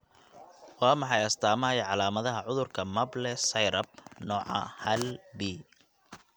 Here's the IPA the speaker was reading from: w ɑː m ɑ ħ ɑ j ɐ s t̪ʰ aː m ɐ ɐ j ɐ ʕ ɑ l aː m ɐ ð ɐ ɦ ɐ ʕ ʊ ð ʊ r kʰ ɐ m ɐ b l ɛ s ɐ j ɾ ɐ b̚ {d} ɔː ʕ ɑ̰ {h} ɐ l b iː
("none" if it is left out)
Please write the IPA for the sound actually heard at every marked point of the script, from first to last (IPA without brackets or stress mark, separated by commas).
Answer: n, h